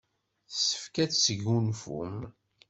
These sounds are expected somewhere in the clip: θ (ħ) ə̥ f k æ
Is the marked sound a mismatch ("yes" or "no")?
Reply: yes